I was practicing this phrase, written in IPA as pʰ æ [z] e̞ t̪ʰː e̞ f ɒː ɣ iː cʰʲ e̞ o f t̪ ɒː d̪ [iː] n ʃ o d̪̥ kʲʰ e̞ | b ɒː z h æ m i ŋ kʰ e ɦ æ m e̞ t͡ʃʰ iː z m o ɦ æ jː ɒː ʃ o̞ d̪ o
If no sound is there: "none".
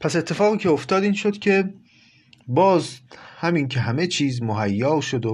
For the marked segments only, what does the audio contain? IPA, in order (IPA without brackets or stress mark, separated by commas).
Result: s, iː